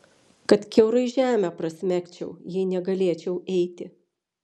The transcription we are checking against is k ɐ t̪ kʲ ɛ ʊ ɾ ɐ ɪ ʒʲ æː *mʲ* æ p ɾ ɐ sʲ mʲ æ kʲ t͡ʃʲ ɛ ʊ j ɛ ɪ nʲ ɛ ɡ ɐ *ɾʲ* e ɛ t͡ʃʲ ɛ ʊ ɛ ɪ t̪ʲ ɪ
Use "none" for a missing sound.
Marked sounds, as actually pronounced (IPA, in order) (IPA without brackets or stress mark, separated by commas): mʲ, lʲ